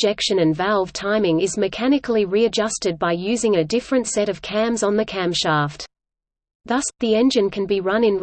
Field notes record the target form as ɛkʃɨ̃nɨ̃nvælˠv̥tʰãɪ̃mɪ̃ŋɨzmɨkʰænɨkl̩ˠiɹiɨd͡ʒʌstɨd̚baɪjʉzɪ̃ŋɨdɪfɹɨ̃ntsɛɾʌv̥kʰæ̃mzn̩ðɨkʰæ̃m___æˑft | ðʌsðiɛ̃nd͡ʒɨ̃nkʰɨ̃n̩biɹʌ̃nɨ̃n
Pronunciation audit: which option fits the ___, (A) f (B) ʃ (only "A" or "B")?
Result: B